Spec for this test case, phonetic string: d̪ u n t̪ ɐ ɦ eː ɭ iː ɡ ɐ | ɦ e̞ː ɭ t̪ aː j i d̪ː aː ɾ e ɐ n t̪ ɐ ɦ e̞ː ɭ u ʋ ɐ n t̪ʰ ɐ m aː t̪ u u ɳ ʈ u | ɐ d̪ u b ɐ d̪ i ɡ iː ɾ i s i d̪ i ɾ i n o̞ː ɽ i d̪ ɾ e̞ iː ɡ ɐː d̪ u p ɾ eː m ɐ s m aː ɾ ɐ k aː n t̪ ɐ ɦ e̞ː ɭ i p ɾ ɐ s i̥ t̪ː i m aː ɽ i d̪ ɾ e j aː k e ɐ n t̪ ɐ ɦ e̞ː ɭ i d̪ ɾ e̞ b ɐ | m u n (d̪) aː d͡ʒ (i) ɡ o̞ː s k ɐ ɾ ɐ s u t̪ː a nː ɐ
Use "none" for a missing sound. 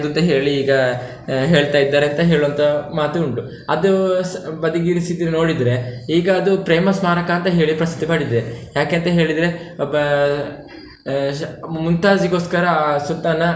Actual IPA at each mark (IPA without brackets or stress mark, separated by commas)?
t̪, i